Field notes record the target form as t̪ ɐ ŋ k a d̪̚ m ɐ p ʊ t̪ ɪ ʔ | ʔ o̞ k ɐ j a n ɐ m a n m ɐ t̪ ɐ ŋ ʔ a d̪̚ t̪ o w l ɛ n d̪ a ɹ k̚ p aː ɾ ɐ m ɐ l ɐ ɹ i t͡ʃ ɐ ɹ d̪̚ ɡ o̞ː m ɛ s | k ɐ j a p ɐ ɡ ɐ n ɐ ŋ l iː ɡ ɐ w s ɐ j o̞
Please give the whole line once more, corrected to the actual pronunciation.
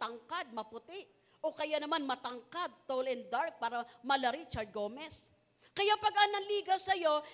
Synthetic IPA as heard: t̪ ɐ ŋ k a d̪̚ m ɐ p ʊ t̪ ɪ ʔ | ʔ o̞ k ɐ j a n ɐ m a n m ɐ t̪ ɐ ŋ k a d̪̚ t̪ o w l ɛ n d̪ a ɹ k̚ p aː ɾ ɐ m ɐ l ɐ ɾ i t͡ʃ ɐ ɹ d̪̚ ɡ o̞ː m ɛ s | k ɐ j a p ɐ ɡ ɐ n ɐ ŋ l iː ɡ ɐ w s ɐ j o̞